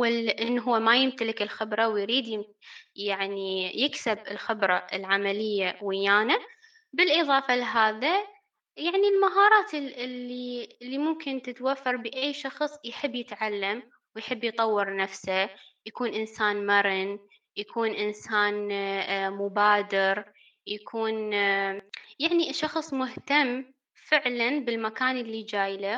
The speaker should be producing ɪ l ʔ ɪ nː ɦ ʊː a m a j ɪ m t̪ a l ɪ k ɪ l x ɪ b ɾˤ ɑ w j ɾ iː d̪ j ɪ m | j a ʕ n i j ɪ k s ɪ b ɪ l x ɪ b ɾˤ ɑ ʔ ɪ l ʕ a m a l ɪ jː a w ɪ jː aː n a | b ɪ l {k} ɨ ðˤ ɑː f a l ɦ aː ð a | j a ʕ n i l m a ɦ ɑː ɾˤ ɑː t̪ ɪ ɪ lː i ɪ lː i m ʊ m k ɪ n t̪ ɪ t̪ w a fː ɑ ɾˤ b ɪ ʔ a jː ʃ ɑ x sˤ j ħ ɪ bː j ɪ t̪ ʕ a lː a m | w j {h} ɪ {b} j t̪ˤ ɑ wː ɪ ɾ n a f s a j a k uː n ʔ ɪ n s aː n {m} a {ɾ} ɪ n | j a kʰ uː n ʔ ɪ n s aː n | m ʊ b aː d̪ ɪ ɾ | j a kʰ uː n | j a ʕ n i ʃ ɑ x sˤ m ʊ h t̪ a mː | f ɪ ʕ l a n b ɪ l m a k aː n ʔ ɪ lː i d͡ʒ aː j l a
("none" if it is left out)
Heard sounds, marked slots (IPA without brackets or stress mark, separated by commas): ʔ, ħ, bː, m, ɾ